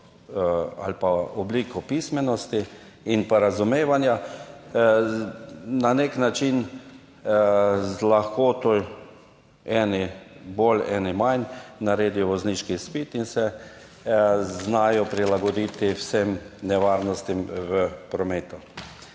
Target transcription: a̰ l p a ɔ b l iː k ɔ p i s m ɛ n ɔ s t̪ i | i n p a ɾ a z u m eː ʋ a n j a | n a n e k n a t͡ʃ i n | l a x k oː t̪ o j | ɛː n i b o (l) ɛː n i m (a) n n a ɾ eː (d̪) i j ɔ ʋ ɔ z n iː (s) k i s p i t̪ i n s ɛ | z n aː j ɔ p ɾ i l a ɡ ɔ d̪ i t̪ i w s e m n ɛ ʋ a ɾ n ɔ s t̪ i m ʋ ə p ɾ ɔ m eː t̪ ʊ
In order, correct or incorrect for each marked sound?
correct, correct, correct, incorrect: ʃ

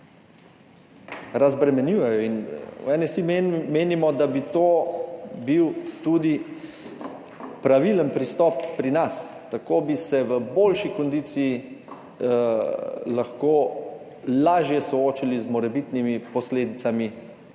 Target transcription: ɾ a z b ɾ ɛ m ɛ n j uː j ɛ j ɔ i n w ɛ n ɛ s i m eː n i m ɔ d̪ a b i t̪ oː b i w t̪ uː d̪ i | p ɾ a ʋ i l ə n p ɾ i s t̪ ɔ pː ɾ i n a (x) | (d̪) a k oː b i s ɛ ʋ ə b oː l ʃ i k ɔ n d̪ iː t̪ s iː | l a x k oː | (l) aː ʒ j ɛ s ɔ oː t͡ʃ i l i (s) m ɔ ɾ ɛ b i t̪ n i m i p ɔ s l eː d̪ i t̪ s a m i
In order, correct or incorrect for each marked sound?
incorrect: s, incorrect: t̪, correct, incorrect: z

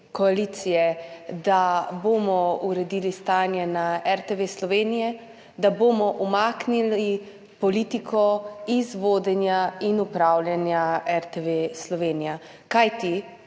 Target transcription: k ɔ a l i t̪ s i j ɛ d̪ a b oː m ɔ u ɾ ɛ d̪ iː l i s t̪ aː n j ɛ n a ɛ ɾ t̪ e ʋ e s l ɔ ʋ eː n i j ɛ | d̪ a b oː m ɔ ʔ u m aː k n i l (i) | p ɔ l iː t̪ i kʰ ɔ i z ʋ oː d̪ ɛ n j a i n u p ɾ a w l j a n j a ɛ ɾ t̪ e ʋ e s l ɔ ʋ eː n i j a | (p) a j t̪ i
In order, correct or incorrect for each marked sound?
correct, incorrect: k

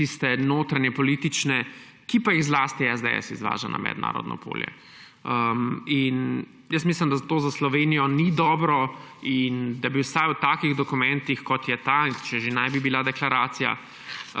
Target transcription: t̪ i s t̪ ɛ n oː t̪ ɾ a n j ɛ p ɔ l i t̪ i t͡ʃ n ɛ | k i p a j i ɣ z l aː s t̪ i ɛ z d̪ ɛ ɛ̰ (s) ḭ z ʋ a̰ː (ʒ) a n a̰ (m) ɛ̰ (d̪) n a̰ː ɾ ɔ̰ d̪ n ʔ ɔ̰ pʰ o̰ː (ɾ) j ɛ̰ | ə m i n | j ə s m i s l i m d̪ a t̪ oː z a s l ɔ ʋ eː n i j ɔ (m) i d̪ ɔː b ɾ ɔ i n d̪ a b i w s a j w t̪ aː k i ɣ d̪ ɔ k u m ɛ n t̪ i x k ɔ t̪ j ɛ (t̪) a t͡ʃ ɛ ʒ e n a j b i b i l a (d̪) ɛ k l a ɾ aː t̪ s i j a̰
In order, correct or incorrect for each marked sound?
correct, correct, correct, correct, incorrect: l, incorrect: n, correct, correct

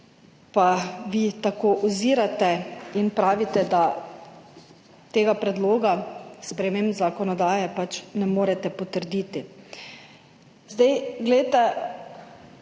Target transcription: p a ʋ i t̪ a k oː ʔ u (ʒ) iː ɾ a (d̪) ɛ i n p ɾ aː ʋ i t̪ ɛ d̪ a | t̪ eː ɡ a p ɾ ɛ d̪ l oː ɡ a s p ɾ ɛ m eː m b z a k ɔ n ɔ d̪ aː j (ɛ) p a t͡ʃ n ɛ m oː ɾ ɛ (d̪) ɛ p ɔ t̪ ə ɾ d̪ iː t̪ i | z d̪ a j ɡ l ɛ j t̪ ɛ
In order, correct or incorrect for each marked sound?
incorrect: z, incorrect: t̪, correct, incorrect: t̪

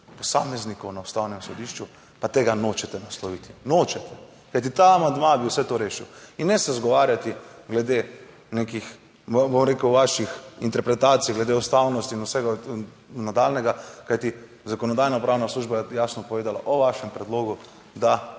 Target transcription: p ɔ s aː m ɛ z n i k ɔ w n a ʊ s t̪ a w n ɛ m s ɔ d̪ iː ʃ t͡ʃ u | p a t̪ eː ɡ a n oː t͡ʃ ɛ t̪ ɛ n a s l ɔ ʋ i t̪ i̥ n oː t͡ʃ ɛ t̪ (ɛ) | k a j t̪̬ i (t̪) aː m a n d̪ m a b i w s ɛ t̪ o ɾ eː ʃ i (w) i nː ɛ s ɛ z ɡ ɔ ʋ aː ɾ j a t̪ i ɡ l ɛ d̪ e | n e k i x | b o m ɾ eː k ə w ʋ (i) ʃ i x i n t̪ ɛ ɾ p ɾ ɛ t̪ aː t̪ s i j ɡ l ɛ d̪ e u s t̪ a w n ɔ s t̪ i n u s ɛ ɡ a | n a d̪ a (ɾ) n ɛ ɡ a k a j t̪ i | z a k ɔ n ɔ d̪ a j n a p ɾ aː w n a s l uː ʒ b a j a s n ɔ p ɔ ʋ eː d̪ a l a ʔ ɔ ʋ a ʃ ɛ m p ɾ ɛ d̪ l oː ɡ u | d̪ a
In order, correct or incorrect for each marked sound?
correct, correct, correct, incorrect: a, incorrect: l

